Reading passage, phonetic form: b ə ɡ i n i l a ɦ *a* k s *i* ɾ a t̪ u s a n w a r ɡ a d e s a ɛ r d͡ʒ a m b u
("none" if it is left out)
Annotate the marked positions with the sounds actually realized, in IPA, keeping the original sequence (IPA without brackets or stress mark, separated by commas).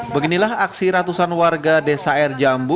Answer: a, i